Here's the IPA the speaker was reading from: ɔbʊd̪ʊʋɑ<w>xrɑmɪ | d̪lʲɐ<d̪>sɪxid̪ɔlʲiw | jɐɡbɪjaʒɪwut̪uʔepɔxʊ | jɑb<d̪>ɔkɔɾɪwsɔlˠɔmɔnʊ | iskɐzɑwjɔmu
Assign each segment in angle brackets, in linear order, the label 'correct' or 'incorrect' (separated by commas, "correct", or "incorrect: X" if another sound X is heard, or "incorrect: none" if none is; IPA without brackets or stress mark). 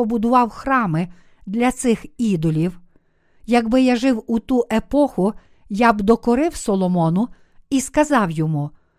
correct, incorrect: t̪, correct